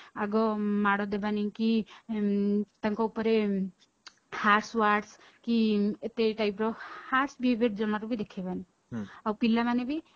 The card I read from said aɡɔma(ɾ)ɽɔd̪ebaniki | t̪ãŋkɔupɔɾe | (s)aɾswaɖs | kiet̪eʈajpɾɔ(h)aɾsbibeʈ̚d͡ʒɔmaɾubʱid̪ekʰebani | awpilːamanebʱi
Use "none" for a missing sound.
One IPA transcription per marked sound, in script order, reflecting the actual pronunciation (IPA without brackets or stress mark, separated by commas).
none, h, h